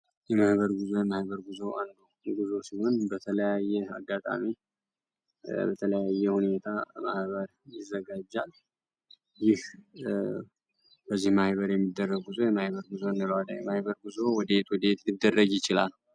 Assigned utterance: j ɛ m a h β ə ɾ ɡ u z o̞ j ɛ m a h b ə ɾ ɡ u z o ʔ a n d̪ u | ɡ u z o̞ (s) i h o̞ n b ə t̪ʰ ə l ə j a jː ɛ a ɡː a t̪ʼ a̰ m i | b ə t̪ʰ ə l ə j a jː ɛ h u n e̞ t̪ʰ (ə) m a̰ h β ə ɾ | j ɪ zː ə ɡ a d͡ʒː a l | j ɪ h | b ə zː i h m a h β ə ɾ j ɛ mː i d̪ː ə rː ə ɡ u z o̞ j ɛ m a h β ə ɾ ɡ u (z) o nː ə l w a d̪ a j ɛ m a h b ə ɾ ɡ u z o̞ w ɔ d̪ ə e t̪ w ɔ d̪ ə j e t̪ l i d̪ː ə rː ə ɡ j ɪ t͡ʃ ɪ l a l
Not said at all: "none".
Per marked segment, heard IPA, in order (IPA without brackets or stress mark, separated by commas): s, a, z